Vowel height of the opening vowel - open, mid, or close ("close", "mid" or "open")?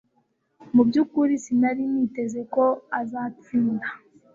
close